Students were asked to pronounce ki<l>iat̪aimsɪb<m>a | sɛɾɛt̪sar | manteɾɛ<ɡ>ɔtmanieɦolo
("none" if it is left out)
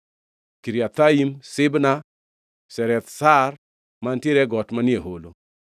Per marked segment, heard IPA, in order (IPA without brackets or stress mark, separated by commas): ɾ, n, ɡ